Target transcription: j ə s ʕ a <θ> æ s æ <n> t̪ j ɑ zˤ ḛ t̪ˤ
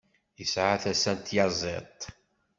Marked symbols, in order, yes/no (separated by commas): yes, yes